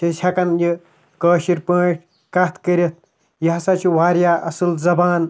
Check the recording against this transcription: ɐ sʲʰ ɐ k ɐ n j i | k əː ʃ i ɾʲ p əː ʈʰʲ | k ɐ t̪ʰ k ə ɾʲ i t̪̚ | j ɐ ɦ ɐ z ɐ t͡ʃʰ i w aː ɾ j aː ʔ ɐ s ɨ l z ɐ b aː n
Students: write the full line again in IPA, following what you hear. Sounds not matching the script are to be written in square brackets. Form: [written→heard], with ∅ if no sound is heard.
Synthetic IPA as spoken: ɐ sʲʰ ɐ k ɐ n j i | k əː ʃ i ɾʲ p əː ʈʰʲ | k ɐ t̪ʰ k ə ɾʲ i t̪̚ | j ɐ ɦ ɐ [z→s] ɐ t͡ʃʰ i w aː ɾ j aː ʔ ɐ s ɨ l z ɐ b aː n